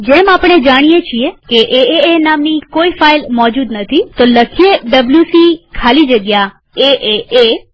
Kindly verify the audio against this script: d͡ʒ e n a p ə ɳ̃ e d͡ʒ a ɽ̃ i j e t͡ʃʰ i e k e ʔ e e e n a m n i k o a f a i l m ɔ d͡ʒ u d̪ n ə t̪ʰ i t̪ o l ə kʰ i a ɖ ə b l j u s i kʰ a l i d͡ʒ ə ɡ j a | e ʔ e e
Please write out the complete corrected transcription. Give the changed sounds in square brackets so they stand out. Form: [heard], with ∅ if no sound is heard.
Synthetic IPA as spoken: d͡ʒ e [m] a p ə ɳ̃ e d͡ʒ a ɽ̃ i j e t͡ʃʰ i e k e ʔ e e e n a m n i k o [i] f a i l m ɔ d͡ʒ u d̪ n ə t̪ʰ i t̪ o l ə kʰ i [e] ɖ ə b l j u s i kʰ a l i d͡ʒ ə ɡ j a | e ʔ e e